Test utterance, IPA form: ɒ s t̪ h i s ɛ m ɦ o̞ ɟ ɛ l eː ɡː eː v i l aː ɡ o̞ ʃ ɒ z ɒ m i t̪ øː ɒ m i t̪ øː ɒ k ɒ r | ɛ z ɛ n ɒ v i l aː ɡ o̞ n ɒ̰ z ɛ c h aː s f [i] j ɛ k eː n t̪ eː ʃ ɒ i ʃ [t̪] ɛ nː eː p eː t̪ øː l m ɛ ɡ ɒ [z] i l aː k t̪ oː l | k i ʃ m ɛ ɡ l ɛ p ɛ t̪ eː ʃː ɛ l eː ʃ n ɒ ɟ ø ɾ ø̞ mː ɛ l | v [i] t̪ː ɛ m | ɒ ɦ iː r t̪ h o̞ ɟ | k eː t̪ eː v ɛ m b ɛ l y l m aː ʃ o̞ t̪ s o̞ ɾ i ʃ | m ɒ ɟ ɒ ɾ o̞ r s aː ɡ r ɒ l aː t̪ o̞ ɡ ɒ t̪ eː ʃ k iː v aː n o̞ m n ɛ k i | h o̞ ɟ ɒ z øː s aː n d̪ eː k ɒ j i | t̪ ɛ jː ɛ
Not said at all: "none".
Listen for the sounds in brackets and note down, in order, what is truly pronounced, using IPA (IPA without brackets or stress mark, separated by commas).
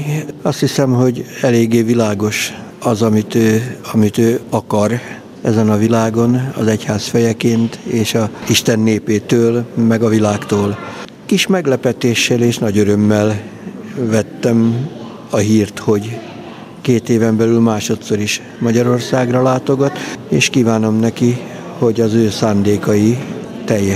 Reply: ɛ, t̪, v, ɛ